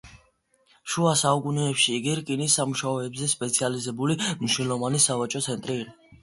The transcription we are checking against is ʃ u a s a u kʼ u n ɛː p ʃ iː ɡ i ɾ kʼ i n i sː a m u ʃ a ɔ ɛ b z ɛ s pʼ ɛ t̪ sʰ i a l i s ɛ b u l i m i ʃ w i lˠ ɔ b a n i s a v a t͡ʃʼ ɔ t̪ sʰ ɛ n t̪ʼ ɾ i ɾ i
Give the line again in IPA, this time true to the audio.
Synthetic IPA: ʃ u a s a u kʼ u n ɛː p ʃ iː ɡ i ɾ kʼ i n i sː a m u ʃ a ɔ ɛ b z ɛ s pʼ ɛ t̪ sʰ i a l i z ɛ b u l i m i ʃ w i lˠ ɔ v a n i s a v a t͡ʃʼ ɔ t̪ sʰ ɛ n t̪ʼ ɾ i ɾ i